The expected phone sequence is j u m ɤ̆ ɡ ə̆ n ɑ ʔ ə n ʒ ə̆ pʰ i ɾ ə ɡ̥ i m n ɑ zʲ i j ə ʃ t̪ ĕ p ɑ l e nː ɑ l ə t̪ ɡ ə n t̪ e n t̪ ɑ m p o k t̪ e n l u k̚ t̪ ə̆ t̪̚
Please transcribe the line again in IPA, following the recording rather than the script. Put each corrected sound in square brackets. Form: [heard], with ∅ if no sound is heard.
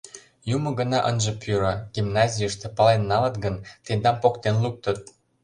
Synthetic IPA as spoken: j u m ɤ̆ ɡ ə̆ n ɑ ʔ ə n ʒ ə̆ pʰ [y] ɾ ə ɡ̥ i m n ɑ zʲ i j ə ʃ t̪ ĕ p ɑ l e nː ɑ l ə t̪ ɡ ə n t̪ e n [d̪] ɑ m p o k t̪ e n l u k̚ t̪ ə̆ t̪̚